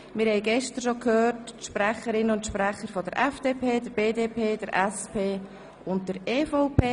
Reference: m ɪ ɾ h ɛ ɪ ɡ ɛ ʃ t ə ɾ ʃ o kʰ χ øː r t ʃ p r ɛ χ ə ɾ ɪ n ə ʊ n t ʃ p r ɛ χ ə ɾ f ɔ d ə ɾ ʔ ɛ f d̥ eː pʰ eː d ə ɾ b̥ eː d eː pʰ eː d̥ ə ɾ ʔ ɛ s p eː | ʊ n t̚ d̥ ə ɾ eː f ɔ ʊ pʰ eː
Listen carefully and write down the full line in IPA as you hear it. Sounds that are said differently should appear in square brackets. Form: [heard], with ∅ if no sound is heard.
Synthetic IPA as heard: m ɪ ɾ h ɛ ɪ ɡ ɛ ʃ t ə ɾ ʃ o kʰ [h] øː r t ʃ p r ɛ χ ə ɾ ɪ n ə ʊ n t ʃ p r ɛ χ ə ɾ f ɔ d ə ɾ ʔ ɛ f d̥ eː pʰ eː d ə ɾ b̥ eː d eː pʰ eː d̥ ə ɾ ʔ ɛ s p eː | ʊ n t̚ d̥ ə ɾ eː f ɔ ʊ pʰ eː